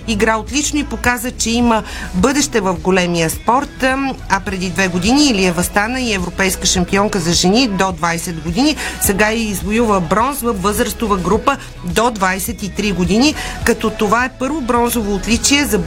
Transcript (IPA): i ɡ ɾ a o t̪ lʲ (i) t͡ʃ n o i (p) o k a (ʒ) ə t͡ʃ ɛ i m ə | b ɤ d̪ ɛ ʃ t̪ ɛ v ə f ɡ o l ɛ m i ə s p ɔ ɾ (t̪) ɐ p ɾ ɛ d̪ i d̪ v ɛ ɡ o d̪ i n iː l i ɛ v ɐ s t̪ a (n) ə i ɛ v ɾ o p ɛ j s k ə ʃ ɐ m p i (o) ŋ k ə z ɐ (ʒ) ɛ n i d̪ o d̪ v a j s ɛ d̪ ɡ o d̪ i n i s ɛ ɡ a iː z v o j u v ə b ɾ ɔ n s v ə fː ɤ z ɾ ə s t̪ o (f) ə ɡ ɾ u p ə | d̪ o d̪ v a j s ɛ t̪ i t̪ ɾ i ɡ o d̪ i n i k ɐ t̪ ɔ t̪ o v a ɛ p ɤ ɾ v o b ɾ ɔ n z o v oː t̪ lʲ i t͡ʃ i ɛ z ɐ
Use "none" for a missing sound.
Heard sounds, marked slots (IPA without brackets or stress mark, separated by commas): i, p, z, t̪, n, ɔ, ʒ, v